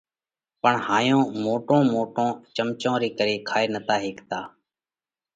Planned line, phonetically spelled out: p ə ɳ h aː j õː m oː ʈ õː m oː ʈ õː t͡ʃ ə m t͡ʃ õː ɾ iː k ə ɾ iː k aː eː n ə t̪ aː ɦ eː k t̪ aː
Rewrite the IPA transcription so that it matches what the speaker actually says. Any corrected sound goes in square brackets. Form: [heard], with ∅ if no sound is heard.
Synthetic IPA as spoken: p ə ɳ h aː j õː m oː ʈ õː m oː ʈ õː t͡ʃ ə m t͡ʃ õː ɾ iː k ə ɾ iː [kʰ] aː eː n ə t̪ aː ɦ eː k t̪ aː